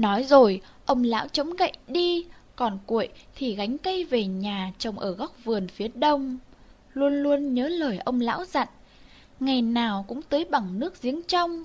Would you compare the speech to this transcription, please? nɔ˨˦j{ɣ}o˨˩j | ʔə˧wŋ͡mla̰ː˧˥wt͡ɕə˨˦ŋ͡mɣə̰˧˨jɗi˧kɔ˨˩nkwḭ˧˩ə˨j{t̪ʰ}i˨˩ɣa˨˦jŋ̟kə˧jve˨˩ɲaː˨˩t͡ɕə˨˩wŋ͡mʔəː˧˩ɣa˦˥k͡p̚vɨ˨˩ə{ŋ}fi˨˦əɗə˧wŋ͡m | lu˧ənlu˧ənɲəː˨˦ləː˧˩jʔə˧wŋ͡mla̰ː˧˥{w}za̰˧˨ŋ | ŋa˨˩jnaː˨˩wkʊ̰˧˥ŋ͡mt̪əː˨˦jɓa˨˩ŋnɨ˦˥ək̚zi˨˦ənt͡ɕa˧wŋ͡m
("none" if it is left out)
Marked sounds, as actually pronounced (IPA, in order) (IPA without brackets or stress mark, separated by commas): z, t̪ʰ, n, w